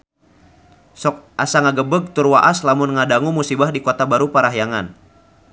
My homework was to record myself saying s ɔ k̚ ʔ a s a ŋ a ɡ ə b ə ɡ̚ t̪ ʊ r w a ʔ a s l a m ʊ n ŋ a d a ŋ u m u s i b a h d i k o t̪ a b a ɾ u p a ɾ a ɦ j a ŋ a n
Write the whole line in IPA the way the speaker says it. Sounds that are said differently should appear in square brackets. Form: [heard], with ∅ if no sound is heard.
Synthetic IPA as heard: s ɔ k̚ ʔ a s a ŋ a ɡ ə b ə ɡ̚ t̪ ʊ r w a ʔ a s l a m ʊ n ŋ a d a ŋ u m u s i b a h d i k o t̪ a b a ɾ u p a ɾ a ɦ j a ŋ a n